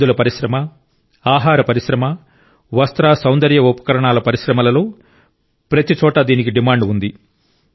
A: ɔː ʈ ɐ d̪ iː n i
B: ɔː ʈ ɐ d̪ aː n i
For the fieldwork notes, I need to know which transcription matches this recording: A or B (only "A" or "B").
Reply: A